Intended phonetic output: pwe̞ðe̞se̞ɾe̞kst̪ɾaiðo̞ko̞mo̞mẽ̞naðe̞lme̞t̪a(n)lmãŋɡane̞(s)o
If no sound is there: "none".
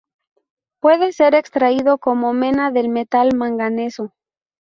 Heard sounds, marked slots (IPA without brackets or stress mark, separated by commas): none, s